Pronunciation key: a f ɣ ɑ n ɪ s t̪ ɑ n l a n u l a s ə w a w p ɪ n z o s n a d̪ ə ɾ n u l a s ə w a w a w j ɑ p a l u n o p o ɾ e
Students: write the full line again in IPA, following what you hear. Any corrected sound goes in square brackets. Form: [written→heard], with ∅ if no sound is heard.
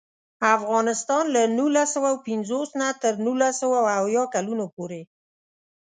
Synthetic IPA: a f ɣ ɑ n ɪ s t̪ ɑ n l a n u l a s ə w a w p ɪ n z o s n a [d̪→t̪] ə ɾ n u l a s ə w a w a w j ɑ [p→k] a l u n o p o ɾ e

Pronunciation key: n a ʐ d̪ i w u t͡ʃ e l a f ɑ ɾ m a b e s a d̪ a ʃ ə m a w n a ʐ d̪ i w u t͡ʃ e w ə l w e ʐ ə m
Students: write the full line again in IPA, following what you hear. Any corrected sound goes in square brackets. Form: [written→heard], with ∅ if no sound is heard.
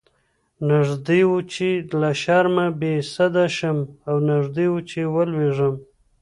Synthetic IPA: n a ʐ d̪ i w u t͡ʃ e l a [f→ʃ] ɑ ɾ m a b e s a d̪ a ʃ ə m a w n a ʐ d̪ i w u t͡ʃ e w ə l w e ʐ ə m

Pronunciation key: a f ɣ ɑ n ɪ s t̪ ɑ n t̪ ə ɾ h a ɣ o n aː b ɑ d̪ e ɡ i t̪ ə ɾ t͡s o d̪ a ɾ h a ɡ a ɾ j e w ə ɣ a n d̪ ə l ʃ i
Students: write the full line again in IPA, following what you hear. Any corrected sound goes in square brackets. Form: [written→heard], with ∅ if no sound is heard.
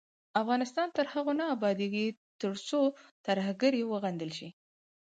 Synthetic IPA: a f ɣ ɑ n ɪ s t̪ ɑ n t̪ ə ɾ h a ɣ o n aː b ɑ d̪ e ɡ i t̪ ə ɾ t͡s o [d̪→t̪] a ɾ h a ɡ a ɾ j e w ə ɣ a n d̪ ə l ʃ i

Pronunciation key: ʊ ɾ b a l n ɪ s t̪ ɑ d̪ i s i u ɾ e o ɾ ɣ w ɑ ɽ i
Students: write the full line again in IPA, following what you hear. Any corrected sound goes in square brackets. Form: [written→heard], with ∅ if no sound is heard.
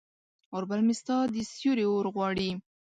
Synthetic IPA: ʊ ɾ b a l [n→m] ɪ s t̪ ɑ d̪ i s [i→j] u ɾ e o ɾ ɣ w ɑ ɽ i

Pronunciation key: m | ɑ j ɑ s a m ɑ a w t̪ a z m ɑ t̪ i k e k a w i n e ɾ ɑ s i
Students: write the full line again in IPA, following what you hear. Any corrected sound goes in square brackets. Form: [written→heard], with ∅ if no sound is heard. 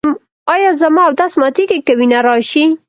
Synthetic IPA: m | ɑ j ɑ [s→z] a m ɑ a w [t̪→d̪] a [z→s] m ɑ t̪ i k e k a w i n [e→a] ɾ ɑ [s→ʃ] i

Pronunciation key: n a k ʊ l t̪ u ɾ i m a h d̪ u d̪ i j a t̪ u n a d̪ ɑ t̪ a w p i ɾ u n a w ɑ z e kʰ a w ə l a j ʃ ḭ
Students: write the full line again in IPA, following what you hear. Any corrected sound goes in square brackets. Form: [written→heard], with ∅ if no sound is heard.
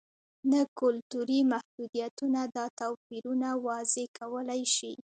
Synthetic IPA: n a k ʊ l t̪ u ɾ i m a h d̪ u d̪ i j a t̪ u n a d̪ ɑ t̪ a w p i ɾ u n a w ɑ z e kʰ a w ə l a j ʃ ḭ

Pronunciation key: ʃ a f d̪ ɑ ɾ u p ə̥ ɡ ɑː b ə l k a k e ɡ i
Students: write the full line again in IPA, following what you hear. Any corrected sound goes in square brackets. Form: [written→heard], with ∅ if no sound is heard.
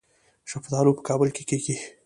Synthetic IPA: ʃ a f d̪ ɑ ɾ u p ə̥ [ɡ→k] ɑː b ə l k [a→e] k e ɡ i

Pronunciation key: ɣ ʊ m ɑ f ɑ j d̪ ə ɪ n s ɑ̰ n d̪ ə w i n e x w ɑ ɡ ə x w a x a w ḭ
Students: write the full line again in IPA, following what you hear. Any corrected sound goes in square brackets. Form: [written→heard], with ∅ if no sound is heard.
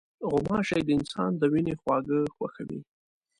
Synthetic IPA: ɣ ʊ m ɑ [f→ʃ] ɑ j d̪ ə ɪ n s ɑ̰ n d̪ ə w i n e x w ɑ ɡ ə x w a x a w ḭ

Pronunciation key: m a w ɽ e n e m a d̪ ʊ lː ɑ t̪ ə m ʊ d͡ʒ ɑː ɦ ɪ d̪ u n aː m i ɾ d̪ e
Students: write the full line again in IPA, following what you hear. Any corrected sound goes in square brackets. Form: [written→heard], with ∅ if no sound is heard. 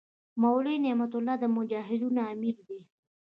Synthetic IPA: m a w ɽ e n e m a [d̪→t̪] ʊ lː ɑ [t̪→d̪] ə m ʊ d͡ʒ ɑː ɦ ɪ d̪ u n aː m i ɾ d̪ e

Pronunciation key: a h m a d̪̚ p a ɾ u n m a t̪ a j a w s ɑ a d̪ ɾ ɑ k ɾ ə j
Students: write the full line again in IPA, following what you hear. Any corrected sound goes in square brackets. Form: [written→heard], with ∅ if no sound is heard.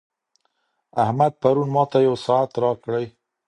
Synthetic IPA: a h m a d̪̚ p a ɾ u n m [a→ɑ] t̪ a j a w s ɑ a [d̪→t̪] ɾ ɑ k [ɾ→ɽ] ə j

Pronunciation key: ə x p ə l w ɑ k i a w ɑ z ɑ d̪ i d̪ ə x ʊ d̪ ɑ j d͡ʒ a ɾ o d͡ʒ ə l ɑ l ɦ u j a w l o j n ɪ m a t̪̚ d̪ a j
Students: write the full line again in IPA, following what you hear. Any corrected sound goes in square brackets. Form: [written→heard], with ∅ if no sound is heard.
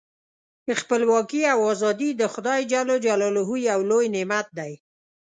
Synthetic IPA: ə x p ə l w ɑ k i a w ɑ z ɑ d̪ i d̪ ə x ʊ d̪ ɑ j d͡ʒ a [ɾ→l] o d͡ʒ [ə→a] l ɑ l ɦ u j a w l o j n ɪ m a t̪̚ d̪ a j

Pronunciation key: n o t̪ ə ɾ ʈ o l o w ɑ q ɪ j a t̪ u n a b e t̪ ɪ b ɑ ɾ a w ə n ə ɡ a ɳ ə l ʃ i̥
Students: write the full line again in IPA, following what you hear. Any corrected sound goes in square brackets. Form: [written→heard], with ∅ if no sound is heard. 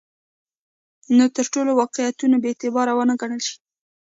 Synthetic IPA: n o t̪ ə ɾ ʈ o l o w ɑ q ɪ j a t̪ u n a b e t̪ ɪ b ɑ ɾ a w ə n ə ɡ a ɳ ə l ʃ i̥

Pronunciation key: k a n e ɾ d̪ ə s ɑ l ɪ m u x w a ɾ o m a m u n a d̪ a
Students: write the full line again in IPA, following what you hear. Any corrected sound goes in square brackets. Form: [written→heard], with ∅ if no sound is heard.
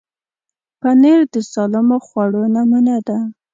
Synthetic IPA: [k→p] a n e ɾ d̪ ə s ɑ l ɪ m [u→o] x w a [ɾ→ɽ] o [m→n] a m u n a d̪ a

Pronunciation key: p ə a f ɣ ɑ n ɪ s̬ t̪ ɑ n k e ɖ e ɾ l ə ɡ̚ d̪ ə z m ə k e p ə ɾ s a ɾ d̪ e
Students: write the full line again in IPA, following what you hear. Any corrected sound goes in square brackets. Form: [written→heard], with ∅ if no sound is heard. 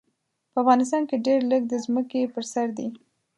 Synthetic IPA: p ə a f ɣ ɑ n ɪ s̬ t̪ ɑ n k e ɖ e ɾ l ə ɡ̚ d̪ ə z m ə k e p ə ɾ s a ɾ d̪ [e→i]

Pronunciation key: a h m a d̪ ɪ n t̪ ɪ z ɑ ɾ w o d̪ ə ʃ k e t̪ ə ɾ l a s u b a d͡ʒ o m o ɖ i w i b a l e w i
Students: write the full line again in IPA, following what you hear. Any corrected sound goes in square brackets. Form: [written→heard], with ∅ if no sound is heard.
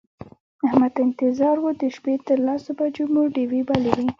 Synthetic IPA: a h m a d̪ ɪ n t̪ ɪ z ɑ ɾ w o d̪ ə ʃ [k→p] e t̪ ə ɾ l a s [u→o] b a d͡ʒ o m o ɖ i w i b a l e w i

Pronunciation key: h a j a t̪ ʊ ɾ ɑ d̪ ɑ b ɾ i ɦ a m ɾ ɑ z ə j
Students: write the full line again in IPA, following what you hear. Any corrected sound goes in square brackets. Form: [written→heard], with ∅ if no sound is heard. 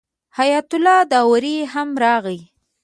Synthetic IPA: h a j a t̪ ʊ [ɾ→l] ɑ d̪ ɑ [b→w] ɾ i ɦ a m ɾ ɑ [z→ɣ] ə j

